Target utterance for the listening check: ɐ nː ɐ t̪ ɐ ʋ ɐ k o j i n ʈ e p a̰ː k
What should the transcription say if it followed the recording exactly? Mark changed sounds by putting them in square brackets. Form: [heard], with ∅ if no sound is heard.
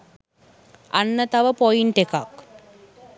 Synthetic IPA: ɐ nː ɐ t̪ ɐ ʋ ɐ [p] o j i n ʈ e [k] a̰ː k